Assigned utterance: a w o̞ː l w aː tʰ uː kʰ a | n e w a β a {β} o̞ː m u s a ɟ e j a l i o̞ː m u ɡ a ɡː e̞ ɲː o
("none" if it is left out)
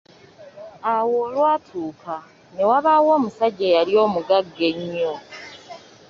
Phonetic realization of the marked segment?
w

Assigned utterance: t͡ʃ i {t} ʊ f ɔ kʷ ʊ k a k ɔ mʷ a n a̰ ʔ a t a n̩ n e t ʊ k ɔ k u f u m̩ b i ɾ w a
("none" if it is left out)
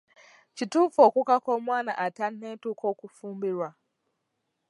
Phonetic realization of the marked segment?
t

